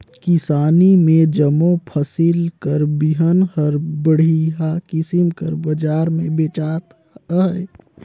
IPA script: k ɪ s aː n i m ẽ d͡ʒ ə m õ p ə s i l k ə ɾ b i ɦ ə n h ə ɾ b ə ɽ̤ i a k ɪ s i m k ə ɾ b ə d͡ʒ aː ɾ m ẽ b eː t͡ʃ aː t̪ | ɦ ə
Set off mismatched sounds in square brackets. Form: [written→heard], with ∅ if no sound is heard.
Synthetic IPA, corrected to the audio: k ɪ s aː n i m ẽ d͡ʒ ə m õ [p→pʰ] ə s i l k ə ɾ b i ɦ ə n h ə ɾ b ə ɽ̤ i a k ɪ s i m k ə ɾ b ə d͡ʒ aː ɾ m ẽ b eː t͡ʃ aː t̪ | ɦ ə